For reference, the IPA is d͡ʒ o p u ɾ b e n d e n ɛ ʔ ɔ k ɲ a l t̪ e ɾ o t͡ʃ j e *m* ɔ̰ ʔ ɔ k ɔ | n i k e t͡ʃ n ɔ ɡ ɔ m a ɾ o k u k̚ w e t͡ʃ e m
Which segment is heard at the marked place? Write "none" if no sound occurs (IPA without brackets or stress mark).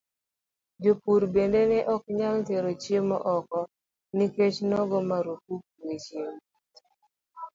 m